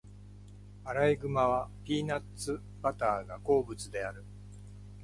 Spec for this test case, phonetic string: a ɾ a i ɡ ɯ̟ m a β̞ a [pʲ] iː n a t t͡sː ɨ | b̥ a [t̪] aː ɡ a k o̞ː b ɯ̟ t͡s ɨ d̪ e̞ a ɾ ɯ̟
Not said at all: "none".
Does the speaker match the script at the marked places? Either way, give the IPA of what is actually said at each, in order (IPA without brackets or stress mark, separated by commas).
pʲ, t̪